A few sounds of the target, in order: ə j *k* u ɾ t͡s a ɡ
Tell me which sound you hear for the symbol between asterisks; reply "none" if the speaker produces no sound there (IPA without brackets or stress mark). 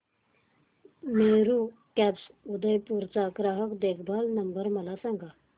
p